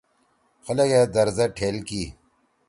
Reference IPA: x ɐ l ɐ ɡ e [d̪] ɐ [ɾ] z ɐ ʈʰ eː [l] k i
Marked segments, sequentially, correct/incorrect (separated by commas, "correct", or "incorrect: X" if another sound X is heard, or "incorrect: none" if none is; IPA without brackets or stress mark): correct, correct, correct